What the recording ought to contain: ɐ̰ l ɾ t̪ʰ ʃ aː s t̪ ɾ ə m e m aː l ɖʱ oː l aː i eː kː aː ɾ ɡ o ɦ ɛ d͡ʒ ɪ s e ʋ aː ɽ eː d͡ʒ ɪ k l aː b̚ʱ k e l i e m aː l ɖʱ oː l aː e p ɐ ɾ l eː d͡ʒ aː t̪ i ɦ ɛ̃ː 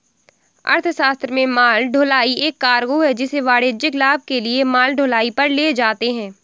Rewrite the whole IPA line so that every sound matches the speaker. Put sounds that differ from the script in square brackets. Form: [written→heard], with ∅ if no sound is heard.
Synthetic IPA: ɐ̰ [l→∅] ɾ t̪ʰ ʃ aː s t̪ ɾ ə m [e→ẽ] m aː l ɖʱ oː l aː i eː kː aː ɾ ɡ o ɦ ɛ d͡ʒ ɪ s e ʋ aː ɽ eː d͡ʒ ɪ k l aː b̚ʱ k e l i e m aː l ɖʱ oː l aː [e→i] p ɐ ɾ l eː d͡ʒ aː t̪ [i→e] ɦ ɛ̃ː